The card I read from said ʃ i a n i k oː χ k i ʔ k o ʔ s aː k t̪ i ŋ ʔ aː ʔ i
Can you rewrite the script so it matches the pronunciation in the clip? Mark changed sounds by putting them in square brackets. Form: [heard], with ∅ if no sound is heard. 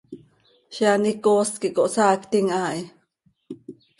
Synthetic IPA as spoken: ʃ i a n i k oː [s] k i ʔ k o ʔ s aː k t̪ i ŋ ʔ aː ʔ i